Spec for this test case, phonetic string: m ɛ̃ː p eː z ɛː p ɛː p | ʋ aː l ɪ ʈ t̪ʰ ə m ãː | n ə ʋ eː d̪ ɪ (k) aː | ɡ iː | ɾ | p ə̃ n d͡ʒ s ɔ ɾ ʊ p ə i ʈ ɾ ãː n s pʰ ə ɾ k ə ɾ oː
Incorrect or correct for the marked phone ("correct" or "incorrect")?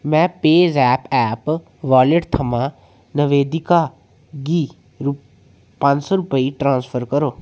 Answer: correct